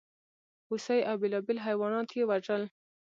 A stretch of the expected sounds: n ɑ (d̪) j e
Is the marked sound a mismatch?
yes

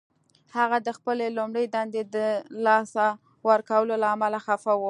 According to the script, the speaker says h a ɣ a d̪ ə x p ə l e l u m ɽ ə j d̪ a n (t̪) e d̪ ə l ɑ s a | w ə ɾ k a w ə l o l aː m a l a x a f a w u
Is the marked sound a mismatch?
yes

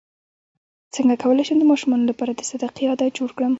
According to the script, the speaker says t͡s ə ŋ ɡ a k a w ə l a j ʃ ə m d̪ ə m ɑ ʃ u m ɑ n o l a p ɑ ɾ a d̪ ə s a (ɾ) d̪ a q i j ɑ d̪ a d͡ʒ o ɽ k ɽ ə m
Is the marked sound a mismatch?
yes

